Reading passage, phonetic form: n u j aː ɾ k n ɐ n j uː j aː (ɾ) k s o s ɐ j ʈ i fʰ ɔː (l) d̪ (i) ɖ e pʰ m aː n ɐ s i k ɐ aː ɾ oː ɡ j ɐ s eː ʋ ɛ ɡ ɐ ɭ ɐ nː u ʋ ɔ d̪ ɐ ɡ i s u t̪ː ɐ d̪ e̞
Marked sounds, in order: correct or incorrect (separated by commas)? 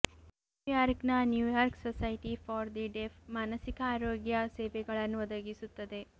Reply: correct, incorrect, correct